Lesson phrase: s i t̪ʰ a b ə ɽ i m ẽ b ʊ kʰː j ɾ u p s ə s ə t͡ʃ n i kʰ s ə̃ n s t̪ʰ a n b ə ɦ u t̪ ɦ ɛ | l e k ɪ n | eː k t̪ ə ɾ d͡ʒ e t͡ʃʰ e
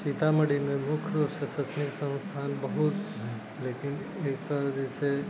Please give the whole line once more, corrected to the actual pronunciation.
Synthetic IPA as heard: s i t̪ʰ a m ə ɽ i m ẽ m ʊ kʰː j ɾ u p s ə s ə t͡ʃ n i k s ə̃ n s t̪ʰ a n b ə ɦ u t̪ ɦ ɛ | l e k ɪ n | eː k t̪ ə ɾ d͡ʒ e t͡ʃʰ e

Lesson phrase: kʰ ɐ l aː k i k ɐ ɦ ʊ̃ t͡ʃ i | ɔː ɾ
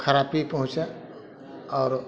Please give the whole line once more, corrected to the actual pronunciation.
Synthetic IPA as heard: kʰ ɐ ɾ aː p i p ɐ ɦ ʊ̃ t͡ʃ a | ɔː ɾ

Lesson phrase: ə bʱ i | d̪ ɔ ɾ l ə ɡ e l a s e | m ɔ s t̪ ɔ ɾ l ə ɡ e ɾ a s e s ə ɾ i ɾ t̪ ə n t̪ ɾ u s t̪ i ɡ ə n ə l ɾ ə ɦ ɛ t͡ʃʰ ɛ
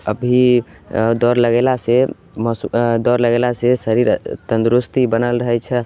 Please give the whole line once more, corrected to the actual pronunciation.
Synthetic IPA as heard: ə bʱ i | d̪ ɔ ɾ l ə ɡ e l a s e | m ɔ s d̪ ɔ ɾ l ə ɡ e l a s e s ə ɾ i ɾ t̪ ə n d̪ ɾ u s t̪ i b ə n ə l ɾ ə ɦ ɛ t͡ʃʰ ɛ

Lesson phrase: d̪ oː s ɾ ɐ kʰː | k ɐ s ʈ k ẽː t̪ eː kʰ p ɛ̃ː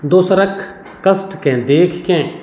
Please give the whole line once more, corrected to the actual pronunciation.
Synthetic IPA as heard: d̪ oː s ɾ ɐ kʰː | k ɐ s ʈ k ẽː d̪ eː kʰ k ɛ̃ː

